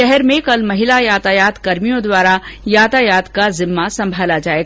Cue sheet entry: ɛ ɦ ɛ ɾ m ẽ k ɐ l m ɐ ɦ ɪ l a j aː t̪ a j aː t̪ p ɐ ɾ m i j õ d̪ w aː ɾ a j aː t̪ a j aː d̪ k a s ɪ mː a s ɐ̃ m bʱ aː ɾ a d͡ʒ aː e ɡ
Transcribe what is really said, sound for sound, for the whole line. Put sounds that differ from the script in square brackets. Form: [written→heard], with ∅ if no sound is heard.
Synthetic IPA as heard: ɛ ɦ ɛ ɾ m ẽ k ɐ l m ɐ ɦ ɪ l a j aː t̪ a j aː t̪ [p→k] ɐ ɾ m i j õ d̪ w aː ɾ a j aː t̪ a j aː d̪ k a [s→z] ɪ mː a s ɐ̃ m bʱ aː [ɾ→l] a d͡ʒ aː e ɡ

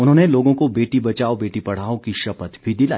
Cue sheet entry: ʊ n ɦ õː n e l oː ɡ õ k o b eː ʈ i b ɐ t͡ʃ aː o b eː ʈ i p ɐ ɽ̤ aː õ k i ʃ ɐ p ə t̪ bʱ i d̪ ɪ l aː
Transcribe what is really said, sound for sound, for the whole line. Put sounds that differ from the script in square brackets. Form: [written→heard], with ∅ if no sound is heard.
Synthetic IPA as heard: ʊ n ɦ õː n e l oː ɡ õ k o b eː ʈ i b ɐ t͡ʃ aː o b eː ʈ i p ɐ ɽ̤ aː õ k i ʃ ɐ p ə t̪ bʱ i d̪ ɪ l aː

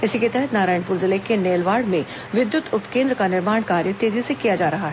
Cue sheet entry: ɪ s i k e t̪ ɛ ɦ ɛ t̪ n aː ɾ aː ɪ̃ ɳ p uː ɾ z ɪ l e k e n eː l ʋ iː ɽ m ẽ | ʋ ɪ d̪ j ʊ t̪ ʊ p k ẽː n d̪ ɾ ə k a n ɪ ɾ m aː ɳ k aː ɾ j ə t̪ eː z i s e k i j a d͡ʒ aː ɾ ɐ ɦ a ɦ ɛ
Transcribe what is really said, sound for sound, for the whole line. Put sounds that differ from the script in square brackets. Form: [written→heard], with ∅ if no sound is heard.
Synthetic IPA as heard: ɪ s i k e t̪ ɛ ɦ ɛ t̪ n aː ɾ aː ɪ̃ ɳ p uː ɾ z ɪ l e k e n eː l ʋ [iː→aː] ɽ m ẽ | ʋ ɪ d̪ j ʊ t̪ ʊ p k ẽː n d̪ ɾ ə k a n ɪ ɾ m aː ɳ k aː ɾ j ə t̪ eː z i s e k i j a d͡ʒ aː ɾ ɐ ɦ a ɦ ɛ

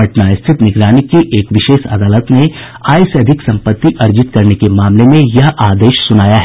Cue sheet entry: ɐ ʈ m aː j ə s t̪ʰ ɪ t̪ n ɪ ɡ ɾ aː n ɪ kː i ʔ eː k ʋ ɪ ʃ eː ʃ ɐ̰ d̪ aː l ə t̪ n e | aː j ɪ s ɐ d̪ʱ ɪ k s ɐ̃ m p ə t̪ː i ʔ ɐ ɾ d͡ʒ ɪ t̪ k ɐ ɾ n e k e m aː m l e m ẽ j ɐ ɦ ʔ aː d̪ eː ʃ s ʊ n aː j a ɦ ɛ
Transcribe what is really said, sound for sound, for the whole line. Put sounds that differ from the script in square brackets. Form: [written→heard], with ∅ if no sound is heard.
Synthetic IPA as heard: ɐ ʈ [m→n] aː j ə s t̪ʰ ɪ t̪ n ɪ ɡ ɾ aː n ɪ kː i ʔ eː k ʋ ɪ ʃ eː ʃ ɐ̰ d̪ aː l ə t̪ n e | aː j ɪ s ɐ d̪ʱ ɪ k s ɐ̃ m p ə t̪ː i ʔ ɐ ɾ d͡ʒ ɪ t̪ k ɐ ɾ n e k e m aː m l e m ẽ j ɐ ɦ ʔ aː d̪ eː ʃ s ʊ n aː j a ɦ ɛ

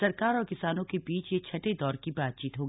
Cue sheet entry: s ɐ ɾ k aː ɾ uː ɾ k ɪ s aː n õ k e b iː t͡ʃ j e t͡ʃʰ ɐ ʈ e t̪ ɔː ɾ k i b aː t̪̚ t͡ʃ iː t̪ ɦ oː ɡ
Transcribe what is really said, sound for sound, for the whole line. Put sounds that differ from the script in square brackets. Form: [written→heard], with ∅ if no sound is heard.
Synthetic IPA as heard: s ɐ ɾ k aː ɾ [uː→ɔː] ɾ k ɪ s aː n õ k e b iː t͡ʃ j e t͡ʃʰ ɐ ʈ e [t̪→d̪] ɔː ɾ k i b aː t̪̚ t͡ʃ iː t̪ ɦ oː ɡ

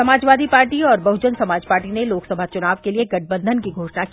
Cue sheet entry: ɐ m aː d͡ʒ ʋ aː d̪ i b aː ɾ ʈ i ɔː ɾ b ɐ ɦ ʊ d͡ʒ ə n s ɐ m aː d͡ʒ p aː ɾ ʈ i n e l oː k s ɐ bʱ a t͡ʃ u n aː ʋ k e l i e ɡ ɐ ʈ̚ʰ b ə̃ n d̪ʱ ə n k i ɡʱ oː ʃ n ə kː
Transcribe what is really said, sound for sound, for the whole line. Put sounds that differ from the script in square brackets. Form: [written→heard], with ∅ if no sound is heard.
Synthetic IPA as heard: ɐ m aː d͡ʒ ʋ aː d̪ i [b→p] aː ɾ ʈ i ɔː ɾ b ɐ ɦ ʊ d͡ʒ ə n s ɐ m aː d͡ʒ p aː ɾ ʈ i n e l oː k s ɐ bʱ a t͡ʃ [u→ʊ] n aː ʋ k e l i e ɡ ɐ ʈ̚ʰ b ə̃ n d̪ʱ ə n k i ɡʱ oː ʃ n [ə→a] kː

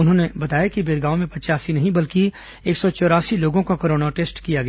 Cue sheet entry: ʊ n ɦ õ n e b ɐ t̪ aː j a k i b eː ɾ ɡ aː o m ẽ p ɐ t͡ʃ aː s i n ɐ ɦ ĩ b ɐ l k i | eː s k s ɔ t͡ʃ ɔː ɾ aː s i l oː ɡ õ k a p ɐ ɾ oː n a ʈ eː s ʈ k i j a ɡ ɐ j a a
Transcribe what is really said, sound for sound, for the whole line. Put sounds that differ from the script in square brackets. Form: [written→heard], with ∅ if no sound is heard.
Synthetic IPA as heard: ʊ n ɦ õ n e b ɐ t̪ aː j a k i b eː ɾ ɡ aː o m ẽ p ɐ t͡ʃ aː s i n ɐ ɦ ĩ b ɐ l k i | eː [s→∅] k s ɔ t͡ʃ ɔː ɾ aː s i l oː ɡ õ k a [p→k] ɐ ɾ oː n a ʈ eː s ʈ k i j a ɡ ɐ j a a

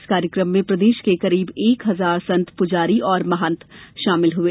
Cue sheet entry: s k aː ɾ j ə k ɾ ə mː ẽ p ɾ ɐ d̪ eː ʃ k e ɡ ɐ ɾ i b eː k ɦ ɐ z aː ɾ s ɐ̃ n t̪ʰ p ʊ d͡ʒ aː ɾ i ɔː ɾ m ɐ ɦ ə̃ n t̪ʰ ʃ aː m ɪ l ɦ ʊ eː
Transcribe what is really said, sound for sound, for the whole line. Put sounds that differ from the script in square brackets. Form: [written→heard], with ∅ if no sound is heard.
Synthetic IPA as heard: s k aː ɾ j ə k ɾ ə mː ẽ p ɾ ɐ d̪ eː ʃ k e [ɡ→k] ɐ ɾ [i→iː] b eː k ɦ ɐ z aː ɾ s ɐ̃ n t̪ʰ p ʊ d͡ʒ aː ɾ i ɔː ɾ m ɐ ɦ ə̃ n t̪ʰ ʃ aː m ɪ l ɦ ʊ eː

